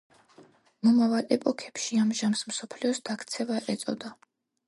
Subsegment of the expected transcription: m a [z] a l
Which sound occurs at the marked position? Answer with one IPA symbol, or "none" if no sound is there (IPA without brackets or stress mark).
v